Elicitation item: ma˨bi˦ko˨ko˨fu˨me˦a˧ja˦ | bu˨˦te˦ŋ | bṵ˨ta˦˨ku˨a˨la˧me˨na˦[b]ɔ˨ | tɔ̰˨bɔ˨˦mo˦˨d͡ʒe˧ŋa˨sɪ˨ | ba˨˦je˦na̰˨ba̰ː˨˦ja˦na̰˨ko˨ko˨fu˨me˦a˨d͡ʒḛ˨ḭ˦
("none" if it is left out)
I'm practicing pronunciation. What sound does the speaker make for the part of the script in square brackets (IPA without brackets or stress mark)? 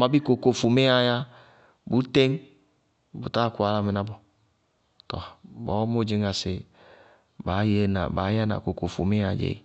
b